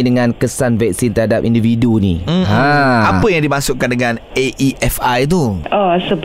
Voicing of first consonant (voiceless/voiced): voiced